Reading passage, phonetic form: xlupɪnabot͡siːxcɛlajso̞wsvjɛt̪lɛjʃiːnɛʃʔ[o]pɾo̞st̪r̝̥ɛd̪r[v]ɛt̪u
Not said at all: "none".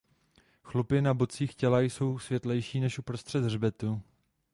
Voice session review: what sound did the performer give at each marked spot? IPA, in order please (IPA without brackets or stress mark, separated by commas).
u, b